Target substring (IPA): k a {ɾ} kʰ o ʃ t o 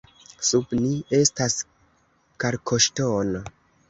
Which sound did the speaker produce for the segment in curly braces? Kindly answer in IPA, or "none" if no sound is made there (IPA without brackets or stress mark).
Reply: ɾ